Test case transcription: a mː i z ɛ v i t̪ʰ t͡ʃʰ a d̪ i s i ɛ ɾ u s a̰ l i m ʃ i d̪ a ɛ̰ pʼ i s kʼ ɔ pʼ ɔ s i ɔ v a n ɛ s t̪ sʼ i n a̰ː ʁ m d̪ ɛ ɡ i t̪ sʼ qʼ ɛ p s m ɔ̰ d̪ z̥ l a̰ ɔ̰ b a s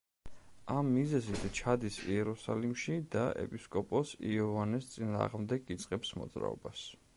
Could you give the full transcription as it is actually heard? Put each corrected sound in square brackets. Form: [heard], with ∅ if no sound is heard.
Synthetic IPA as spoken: a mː i z ɛ [z] i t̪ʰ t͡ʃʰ a d̪ i s i ɛ ɾ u s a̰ l i m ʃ i d̪ a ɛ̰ pʼ i s kʼ ɔ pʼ ɔ s i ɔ v a n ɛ s t̪ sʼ i n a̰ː ʁ m d̪ ɛ ɡ i t̪ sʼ qʼ ɛ p s m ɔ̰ d̪ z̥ [ɾ] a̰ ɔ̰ b a s